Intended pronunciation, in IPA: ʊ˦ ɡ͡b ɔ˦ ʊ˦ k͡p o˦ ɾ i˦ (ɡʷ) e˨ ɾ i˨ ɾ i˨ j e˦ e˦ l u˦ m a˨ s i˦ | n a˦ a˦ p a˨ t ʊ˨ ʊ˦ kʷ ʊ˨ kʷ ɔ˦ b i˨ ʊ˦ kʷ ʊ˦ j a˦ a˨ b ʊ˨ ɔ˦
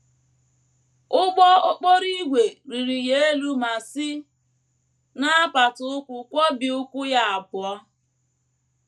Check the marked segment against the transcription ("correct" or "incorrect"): correct